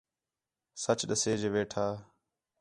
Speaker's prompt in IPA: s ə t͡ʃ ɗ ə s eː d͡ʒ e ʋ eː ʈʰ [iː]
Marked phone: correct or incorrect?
incorrect